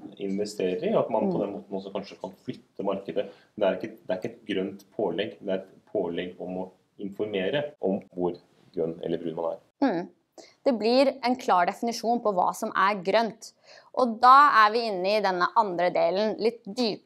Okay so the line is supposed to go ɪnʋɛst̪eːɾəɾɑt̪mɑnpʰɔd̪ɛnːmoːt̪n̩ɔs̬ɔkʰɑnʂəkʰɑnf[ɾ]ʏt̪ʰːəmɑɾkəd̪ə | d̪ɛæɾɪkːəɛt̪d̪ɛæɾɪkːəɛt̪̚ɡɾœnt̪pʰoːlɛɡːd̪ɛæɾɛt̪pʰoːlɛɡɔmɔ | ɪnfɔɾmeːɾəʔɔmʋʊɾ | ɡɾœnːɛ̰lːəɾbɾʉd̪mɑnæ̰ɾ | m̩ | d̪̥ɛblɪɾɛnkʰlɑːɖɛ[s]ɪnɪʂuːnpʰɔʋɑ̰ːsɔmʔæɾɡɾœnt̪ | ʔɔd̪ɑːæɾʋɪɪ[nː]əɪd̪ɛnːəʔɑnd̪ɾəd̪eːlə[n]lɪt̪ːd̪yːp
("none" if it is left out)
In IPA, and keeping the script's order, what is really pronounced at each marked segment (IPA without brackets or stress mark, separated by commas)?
l, f, nː, n